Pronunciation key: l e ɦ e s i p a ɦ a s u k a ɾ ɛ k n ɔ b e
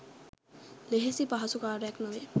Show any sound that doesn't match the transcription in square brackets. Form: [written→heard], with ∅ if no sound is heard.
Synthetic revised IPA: l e ɦ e s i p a ɦ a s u k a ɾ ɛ k n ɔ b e